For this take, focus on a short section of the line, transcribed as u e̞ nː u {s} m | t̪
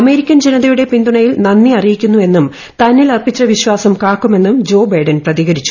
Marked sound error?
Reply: yes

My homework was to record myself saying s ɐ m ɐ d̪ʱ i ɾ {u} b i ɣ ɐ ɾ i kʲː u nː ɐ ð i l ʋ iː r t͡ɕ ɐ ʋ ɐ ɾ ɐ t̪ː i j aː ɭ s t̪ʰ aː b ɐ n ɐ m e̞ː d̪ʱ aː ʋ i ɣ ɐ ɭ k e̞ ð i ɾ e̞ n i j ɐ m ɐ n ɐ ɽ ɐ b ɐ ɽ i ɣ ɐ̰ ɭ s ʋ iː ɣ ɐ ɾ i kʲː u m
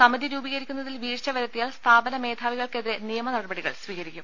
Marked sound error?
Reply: yes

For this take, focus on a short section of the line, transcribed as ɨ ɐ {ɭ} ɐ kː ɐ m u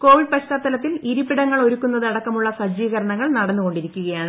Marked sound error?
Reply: yes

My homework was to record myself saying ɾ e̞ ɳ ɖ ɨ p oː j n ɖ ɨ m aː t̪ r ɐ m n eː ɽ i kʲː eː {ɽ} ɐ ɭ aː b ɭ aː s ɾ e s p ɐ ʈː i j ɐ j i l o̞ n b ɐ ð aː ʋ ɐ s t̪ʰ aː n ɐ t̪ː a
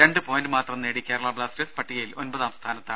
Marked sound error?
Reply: yes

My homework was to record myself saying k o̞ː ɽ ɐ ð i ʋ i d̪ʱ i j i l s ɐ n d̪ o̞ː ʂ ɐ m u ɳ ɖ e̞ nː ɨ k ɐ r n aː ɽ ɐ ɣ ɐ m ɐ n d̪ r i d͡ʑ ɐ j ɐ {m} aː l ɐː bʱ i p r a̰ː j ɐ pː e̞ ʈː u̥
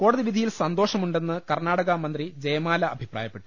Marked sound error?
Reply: no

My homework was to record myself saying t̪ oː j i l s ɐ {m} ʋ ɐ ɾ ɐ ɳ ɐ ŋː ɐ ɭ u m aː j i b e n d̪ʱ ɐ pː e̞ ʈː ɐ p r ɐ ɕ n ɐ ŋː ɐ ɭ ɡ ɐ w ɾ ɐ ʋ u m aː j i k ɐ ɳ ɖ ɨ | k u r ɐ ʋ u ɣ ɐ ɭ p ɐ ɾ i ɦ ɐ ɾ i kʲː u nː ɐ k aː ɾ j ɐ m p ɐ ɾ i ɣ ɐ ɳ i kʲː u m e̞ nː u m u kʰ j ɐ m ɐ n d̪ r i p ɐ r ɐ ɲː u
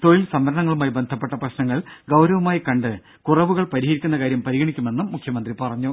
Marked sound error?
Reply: no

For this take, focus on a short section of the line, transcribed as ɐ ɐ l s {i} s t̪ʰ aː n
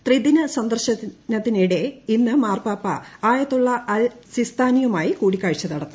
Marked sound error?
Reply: no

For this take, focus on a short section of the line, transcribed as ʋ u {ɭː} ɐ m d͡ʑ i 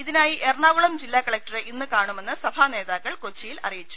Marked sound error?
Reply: yes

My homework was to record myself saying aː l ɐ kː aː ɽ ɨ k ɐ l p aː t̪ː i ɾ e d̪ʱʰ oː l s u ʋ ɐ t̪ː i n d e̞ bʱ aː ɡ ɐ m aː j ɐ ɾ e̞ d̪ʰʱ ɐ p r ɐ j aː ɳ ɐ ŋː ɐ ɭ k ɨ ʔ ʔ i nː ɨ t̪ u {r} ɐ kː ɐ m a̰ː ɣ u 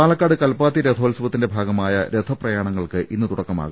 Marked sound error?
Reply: yes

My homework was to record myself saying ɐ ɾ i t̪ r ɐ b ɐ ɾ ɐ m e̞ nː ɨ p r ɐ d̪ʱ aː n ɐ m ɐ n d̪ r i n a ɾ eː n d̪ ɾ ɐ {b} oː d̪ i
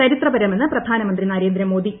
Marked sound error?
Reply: yes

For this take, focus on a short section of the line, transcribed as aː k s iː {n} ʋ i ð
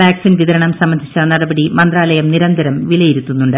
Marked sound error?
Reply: no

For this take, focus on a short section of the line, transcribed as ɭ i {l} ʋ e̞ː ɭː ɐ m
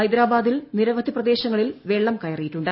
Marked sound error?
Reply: no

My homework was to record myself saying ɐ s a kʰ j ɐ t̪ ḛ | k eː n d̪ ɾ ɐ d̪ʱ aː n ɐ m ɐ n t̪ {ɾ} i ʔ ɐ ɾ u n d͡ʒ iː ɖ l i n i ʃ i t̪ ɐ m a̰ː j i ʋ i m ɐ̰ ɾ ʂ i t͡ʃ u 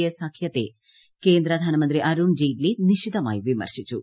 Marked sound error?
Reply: no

